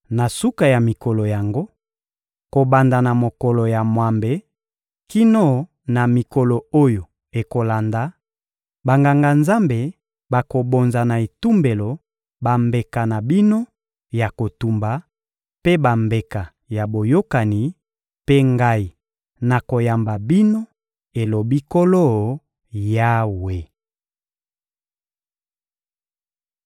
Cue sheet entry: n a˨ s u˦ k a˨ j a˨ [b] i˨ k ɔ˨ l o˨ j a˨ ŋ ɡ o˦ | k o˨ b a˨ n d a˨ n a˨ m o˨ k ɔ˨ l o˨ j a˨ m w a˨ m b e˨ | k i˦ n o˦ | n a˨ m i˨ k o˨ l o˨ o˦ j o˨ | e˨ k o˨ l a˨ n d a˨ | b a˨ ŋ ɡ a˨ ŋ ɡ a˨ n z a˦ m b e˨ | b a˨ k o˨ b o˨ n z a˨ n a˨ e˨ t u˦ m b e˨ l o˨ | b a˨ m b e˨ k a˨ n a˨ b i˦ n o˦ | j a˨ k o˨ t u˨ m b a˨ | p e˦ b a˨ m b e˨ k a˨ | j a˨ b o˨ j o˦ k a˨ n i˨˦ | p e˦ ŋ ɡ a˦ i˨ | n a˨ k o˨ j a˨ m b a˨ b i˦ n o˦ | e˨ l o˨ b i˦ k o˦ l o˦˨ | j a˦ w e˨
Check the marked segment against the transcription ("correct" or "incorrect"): incorrect